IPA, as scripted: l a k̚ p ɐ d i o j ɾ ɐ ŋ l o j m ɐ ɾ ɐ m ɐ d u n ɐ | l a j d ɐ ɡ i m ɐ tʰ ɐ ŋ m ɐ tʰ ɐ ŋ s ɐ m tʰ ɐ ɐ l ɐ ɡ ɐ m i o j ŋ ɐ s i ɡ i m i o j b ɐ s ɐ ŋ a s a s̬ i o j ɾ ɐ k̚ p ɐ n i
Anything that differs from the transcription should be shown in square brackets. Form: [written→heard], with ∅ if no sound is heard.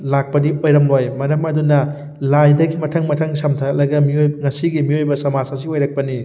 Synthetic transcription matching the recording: l a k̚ p ɐ d i o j ɾ ɐ [ŋ→m] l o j m ɐ ɾ ɐ m ɐ d u n ɐ | l a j d ɐ ɡ i m ɐ tʰ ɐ ŋ m ɐ tʰ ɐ ŋ s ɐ m tʰ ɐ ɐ l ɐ ɡ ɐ m i o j ŋ ɐ s i ɡ i m i o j b ɐ s ɐ [ŋ→m] a s a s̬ i o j ɾ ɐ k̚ p ɐ n i